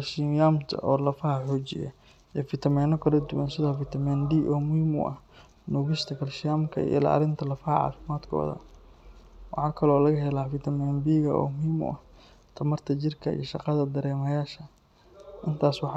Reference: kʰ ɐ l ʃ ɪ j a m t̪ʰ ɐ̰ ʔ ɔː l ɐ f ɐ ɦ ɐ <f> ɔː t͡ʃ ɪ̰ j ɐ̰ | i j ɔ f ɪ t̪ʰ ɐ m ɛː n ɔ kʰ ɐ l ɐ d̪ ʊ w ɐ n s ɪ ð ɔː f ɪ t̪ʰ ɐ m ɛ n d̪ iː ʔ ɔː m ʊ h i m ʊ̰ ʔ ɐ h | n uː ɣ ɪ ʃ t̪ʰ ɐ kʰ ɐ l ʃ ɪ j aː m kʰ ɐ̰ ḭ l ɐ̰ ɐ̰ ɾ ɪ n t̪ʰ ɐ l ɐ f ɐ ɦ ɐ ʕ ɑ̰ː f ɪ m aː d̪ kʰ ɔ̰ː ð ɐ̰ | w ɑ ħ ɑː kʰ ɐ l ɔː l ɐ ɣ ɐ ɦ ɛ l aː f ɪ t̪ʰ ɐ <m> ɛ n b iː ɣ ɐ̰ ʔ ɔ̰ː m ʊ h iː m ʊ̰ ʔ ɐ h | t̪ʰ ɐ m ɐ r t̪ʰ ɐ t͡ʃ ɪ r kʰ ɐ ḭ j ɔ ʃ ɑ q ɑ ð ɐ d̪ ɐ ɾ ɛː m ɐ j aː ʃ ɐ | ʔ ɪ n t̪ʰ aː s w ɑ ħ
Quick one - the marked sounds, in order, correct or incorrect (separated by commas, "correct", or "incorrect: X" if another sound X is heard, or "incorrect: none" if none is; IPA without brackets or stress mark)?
incorrect: ħ, correct